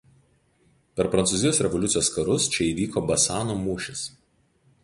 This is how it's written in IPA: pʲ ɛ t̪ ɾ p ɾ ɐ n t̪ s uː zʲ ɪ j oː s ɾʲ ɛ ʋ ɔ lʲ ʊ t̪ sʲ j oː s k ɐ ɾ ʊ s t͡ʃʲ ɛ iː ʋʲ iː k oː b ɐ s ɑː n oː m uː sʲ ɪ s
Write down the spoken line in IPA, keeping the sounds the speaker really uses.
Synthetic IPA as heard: pʲ ɛ ɾ p ɾ ɐ n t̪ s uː zʲ ɪ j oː s ɾʲ ɛ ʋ ɔ lʲ ʊ t̪ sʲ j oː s k ɐ ɾ ʊ s t͡ʃʲ ɛ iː ʋʲ iː k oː b ɐ s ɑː n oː m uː ʃʲ ɪ s